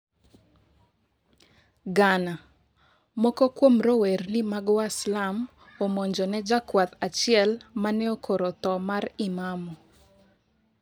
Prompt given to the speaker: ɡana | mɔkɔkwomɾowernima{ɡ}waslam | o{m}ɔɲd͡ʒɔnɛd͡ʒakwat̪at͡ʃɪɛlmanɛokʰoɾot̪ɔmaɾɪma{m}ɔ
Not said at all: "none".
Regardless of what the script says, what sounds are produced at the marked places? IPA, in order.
ɡ, m, m

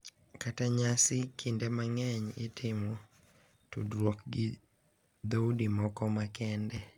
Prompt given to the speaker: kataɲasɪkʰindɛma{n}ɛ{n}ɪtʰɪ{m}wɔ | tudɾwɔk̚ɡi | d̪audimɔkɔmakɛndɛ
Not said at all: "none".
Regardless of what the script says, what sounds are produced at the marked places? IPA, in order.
ŋ, ɲ, m

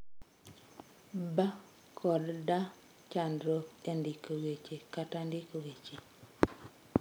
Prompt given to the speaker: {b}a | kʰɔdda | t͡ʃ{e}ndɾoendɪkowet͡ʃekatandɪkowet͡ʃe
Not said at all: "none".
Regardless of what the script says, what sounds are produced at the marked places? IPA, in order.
b, a

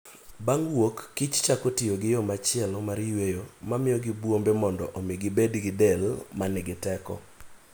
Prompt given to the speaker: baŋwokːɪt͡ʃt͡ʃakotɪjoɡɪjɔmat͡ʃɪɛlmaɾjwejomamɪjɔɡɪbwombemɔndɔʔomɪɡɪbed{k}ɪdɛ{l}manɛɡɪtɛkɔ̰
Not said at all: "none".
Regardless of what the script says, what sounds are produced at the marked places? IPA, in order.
ɡ, l

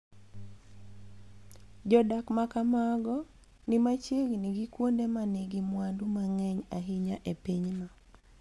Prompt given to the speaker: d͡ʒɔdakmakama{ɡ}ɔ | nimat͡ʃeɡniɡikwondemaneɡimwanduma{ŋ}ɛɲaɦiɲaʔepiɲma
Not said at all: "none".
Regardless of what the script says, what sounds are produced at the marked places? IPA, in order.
ɡ, ŋ

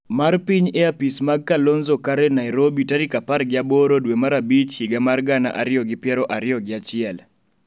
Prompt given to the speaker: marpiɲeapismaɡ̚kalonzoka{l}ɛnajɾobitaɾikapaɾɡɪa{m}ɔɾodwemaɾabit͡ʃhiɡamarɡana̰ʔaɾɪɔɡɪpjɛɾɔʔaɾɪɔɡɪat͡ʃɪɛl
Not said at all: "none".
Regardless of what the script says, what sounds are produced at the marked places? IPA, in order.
ɾ, b

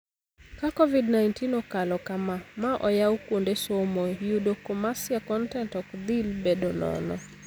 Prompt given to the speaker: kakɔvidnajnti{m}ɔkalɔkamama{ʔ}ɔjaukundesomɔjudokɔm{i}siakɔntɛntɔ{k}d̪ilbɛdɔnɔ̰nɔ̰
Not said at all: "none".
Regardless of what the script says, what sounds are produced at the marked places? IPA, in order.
n, ʔ, a, k

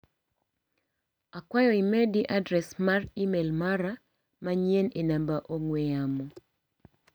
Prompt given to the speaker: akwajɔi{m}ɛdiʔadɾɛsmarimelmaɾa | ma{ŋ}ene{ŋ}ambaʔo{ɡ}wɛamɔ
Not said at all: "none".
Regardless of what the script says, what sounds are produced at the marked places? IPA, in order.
m, ɲ, n, ŋ

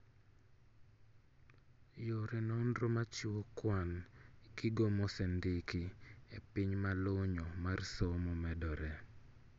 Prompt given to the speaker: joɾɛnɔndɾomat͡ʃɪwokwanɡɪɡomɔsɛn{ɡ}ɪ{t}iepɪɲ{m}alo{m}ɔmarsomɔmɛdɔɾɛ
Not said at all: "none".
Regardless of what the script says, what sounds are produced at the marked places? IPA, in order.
d, k, m, ɲ

